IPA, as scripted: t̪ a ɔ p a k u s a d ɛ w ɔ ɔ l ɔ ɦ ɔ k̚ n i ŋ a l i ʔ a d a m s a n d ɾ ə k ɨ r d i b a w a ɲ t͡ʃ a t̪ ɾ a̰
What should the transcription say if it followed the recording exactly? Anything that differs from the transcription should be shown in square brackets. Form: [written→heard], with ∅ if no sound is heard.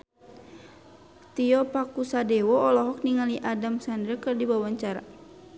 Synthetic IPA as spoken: t̪ [a→i] ɔ p a k u s a d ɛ w ɔ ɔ l ɔ ɦ ɔ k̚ n i ŋ a l i ʔ a d a m s a n d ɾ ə k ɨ r d i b a w a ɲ t͡ʃ a [t̪→∅] ɾ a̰